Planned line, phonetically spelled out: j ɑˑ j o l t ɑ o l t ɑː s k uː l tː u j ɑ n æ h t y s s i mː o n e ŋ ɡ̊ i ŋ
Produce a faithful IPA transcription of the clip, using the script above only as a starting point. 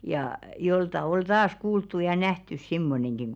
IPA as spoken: j ɑˑ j o l t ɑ o l t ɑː s k uː l tː u j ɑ n æ h t y s s i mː o n e ŋ ɡ̊ i ŋ